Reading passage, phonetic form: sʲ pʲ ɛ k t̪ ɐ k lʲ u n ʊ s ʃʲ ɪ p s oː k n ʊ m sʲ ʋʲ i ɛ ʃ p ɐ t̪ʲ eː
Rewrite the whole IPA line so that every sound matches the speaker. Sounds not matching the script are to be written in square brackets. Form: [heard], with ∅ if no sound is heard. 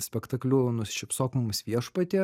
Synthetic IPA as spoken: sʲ pʲ ɛ k t̪ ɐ k lʲ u n ʊ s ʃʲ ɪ p s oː k [m] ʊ m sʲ ʋʲ i ɛ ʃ p ɐ t̪ʲ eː